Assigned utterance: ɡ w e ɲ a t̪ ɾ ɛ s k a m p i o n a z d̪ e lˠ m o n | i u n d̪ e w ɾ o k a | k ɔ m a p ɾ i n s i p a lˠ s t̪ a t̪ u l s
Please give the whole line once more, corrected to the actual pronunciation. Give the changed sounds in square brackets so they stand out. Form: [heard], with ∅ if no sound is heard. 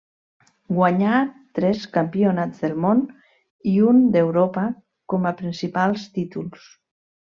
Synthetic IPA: ɡ w [a] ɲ a t̪ ɾ ɛ s k a m p i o n a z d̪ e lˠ m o n | i u n d̪ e w ɾ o [p] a | k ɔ m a p ɾ i n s i p a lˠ s t̪ [i] t̪ u l s